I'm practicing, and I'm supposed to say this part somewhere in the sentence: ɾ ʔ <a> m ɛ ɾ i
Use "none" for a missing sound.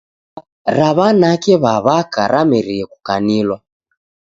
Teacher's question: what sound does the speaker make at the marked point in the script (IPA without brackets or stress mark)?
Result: a